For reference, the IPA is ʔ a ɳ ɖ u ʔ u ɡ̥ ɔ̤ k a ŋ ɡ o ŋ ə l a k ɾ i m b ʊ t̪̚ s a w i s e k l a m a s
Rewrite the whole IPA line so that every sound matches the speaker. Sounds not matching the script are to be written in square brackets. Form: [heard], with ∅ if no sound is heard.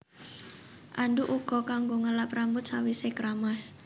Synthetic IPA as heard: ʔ a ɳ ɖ u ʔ u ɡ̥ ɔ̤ k a ŋ ɡ o ŋ ə l a [p] ɾ [a] m b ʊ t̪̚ s a w i s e k [ɾ] a m a s